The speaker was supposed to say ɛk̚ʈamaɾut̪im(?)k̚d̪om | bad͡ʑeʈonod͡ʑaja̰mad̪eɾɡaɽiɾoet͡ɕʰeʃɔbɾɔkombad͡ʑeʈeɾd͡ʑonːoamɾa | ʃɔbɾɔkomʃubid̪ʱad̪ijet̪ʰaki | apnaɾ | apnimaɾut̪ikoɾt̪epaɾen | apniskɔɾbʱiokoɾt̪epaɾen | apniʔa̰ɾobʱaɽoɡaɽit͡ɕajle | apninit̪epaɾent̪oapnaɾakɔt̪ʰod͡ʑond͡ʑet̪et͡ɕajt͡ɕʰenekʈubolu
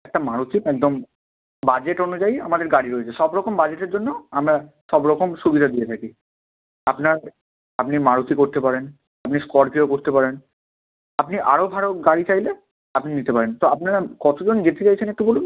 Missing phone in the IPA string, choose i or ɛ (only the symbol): ɛ